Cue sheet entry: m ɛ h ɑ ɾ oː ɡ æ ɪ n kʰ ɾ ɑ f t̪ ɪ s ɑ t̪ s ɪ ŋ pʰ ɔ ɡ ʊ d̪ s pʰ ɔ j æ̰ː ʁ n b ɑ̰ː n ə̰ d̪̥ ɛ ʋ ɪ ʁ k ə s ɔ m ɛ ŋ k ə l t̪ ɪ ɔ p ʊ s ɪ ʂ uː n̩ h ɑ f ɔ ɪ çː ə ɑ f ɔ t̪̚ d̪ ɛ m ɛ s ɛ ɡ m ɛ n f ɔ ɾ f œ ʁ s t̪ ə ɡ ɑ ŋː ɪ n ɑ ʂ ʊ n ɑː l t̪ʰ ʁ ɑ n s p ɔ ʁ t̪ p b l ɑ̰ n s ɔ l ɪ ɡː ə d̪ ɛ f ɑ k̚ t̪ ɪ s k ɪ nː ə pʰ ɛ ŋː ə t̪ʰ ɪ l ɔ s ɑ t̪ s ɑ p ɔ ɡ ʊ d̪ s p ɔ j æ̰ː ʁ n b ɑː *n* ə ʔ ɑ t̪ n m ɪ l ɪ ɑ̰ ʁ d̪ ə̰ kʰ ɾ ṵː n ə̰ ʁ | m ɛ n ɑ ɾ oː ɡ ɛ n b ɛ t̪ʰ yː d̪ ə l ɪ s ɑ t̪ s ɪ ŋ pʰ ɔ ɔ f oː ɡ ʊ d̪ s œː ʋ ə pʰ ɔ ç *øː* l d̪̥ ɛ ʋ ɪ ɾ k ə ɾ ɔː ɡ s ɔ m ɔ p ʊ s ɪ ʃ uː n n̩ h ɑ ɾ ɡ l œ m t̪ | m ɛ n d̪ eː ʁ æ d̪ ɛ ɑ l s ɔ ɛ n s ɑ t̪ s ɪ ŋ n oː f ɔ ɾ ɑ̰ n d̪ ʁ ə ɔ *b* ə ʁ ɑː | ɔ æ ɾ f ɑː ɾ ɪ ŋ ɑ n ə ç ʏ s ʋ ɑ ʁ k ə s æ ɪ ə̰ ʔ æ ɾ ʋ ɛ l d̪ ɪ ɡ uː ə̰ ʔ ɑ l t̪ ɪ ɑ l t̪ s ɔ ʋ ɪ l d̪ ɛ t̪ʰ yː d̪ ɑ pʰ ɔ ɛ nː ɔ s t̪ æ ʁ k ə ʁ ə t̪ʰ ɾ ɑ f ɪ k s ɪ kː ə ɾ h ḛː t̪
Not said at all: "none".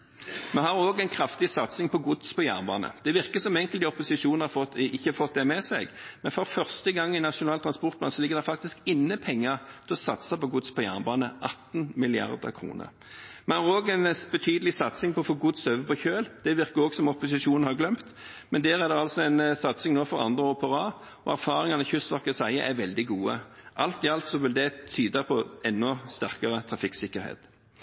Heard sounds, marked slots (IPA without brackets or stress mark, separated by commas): n, øː, p